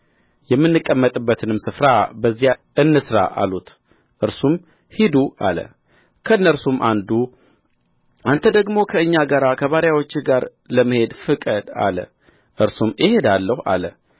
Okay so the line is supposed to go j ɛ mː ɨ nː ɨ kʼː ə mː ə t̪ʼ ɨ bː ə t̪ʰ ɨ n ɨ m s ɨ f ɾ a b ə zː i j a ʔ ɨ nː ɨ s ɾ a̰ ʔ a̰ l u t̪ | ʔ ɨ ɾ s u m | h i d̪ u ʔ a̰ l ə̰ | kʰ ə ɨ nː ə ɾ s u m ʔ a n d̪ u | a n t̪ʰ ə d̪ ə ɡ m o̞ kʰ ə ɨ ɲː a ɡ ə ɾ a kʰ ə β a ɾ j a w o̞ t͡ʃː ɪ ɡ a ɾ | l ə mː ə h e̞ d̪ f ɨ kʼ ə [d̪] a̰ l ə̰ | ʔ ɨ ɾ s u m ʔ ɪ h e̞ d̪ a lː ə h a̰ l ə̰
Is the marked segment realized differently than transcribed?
no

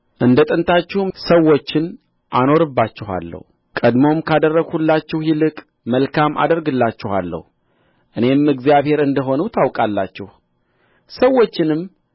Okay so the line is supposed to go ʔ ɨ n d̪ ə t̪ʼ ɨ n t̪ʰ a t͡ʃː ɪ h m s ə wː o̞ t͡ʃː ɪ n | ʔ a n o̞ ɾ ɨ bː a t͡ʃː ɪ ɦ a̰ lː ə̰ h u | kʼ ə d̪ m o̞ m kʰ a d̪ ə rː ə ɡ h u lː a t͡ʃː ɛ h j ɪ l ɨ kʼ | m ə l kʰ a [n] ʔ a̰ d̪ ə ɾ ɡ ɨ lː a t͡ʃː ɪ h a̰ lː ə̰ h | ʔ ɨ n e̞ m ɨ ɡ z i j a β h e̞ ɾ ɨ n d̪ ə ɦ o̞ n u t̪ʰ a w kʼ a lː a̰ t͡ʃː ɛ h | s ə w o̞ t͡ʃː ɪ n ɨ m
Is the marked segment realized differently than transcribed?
yes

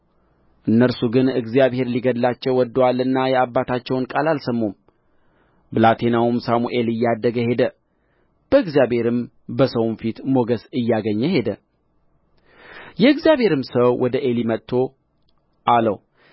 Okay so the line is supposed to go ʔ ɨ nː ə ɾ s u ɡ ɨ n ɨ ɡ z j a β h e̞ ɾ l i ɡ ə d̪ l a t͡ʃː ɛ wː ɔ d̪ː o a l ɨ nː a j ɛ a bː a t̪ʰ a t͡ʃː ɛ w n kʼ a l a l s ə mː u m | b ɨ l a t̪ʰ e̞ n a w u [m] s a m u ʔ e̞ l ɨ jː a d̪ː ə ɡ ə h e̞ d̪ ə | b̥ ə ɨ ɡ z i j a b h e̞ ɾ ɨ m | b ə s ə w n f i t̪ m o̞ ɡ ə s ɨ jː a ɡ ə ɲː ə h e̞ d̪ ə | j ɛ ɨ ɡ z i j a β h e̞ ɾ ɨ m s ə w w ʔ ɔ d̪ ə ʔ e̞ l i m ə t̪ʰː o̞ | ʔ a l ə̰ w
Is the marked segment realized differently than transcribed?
no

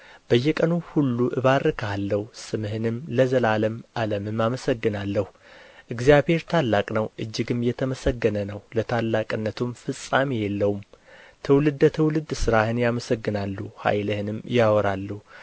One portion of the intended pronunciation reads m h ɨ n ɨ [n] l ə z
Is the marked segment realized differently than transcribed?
yes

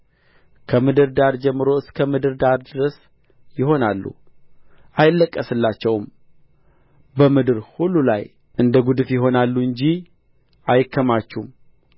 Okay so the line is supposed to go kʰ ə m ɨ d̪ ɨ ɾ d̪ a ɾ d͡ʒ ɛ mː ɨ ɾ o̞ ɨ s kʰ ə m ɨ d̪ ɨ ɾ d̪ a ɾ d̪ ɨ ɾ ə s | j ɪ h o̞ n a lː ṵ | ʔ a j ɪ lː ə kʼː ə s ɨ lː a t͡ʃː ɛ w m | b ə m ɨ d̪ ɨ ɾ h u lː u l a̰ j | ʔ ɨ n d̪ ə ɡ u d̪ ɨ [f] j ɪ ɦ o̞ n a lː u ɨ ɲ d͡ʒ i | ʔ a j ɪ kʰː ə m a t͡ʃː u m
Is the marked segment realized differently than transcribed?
no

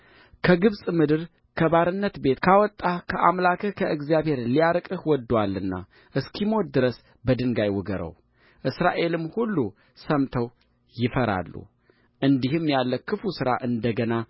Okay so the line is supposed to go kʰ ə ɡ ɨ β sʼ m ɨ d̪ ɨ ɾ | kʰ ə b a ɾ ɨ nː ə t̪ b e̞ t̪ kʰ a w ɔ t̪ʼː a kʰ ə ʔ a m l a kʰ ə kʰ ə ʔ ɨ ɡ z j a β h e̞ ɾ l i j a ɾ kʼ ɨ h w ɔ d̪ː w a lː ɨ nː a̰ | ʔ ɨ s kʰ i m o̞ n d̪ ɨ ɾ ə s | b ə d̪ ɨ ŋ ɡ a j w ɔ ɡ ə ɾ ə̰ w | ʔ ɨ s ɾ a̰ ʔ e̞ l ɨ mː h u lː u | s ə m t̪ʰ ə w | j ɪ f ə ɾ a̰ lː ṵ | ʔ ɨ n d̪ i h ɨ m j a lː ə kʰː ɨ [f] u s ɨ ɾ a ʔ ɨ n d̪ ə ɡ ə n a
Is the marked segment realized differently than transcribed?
no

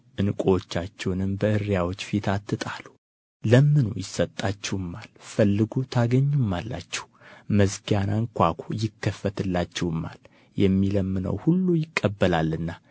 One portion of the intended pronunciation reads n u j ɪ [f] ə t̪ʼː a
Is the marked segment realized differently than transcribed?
yes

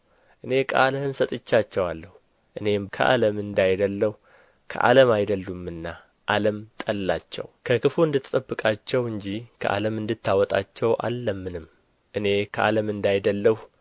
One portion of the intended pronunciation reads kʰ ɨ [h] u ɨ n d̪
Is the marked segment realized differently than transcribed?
yes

